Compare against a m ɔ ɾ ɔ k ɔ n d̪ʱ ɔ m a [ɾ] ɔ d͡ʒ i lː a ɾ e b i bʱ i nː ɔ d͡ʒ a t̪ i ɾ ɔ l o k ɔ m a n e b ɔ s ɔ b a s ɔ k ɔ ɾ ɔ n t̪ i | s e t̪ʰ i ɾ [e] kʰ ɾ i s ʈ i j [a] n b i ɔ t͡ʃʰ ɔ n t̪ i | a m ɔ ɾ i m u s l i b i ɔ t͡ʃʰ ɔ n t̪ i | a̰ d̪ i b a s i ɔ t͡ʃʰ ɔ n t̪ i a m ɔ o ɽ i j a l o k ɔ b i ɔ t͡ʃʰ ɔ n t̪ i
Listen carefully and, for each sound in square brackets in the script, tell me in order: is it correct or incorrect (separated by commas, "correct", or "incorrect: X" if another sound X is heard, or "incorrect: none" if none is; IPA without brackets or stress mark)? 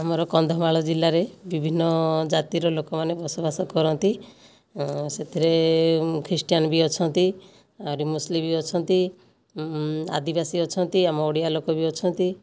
incorrect: ɭ, correct, correct